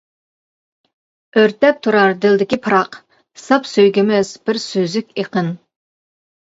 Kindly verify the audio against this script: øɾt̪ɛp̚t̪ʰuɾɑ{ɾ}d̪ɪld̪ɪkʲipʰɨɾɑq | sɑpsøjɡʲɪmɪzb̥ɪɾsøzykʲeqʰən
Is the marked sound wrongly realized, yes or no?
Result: no